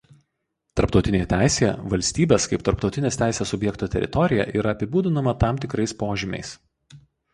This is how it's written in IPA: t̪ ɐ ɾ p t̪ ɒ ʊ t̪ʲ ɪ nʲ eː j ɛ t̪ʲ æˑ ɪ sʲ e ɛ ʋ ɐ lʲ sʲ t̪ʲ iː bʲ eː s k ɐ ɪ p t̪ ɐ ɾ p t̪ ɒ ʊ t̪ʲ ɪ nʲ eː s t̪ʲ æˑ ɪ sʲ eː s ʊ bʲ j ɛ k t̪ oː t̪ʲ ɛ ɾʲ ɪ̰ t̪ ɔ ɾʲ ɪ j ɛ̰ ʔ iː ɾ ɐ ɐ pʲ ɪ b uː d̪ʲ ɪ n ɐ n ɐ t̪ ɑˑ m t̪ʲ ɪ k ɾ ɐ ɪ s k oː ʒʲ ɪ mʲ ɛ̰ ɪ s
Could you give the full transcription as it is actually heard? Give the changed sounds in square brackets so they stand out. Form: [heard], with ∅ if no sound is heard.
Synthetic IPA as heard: t̪ ɐ ɾ p t̪ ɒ ʊ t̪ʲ ɪ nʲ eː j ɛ t̪ʲ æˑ ɪ sʲ e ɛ ʋ ɐ lʲ sʲ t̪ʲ iː bʲ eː s k ɐ ɪ p t̪ ɐ ɾ p t̪ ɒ ʊ t̪ʲ ɪ nʲ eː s t̪ʲ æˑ ɪ sʲ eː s ʊ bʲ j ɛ k t̪ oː t̪ʲ ɛ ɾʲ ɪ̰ t̪ ɔ ɾʲ ɪ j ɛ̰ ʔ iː ɾ ɐ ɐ pʲ ɪ b uː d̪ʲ ɪ n ɐ [m] ɐ t̪ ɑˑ m t̪ʲ ɪ k ɾ ɐ ɪ s [p] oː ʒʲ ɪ mʲ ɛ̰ ɪ s